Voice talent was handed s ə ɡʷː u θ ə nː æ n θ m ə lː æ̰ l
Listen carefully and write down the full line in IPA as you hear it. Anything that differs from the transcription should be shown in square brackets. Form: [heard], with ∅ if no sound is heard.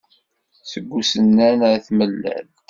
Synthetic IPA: s ə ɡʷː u [s] ə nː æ n θ m ə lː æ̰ l